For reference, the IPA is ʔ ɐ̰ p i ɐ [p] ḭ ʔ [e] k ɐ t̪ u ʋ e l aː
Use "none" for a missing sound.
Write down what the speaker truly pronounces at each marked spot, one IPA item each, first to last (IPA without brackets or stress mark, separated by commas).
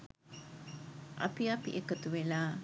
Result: p, e